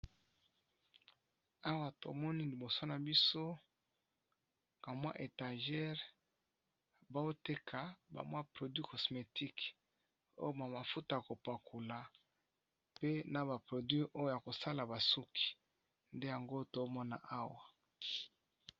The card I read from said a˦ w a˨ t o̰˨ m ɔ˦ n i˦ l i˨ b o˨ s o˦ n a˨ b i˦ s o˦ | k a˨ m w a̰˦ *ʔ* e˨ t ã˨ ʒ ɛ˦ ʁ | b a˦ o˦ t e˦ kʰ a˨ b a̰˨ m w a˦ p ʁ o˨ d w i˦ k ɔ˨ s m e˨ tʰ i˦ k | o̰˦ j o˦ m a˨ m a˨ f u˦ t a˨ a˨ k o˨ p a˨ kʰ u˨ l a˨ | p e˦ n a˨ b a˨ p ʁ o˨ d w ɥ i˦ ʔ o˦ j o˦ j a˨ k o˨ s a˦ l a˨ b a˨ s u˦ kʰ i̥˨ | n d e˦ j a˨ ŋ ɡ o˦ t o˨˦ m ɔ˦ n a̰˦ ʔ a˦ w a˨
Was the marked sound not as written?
no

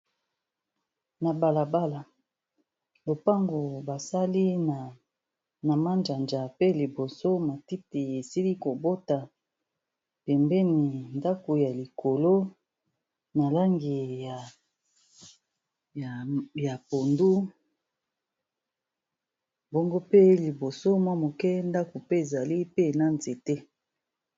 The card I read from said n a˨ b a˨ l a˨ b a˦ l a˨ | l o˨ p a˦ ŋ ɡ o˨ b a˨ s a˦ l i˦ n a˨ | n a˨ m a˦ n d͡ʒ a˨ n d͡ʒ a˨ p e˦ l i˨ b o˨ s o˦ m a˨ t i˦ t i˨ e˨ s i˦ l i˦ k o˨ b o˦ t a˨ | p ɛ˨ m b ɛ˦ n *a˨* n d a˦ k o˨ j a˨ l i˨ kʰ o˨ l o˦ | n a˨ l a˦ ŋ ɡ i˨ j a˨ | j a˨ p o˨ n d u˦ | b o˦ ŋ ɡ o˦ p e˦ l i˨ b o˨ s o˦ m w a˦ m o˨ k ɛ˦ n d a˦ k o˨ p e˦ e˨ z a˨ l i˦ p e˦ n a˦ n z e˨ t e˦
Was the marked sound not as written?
yes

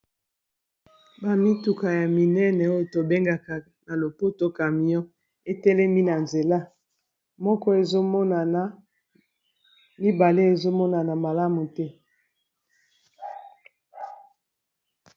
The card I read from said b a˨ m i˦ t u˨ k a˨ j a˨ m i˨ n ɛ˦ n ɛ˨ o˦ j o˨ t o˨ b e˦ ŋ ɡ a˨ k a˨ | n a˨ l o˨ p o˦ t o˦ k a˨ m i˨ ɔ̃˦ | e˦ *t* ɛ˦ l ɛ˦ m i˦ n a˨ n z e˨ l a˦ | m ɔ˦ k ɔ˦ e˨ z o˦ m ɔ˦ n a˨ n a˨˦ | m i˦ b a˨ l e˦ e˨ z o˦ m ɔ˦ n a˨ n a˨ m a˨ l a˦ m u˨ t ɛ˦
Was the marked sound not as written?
no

